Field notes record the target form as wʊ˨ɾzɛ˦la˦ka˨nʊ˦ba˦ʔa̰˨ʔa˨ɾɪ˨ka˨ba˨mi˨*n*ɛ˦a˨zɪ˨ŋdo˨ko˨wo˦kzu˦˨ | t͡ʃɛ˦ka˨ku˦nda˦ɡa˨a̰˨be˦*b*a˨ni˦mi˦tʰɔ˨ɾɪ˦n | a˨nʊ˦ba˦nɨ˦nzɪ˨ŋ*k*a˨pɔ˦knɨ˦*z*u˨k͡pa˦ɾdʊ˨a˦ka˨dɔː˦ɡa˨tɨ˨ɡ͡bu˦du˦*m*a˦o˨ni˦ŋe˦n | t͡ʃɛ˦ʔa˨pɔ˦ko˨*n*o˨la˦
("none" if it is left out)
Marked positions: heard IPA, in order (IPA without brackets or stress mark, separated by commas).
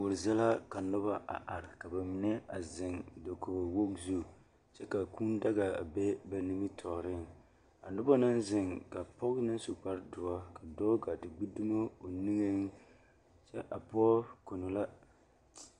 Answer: n, b, k, s, m, n